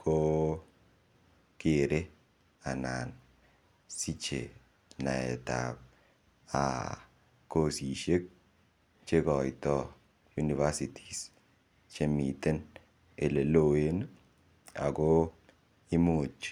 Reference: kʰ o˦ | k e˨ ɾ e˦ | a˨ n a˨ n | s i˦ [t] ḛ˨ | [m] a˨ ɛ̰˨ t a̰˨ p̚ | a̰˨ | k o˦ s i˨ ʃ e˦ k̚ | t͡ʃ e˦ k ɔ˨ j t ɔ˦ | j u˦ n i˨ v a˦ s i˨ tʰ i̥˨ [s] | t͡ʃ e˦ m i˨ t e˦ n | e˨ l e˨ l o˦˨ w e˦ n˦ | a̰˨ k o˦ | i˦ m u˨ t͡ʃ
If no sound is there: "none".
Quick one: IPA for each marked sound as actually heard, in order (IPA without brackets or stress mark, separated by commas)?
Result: t͡ʃ, n, s